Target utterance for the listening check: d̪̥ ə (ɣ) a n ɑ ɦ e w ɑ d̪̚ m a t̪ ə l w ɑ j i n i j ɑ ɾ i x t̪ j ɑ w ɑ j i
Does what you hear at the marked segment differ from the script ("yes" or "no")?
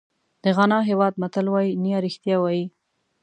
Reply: no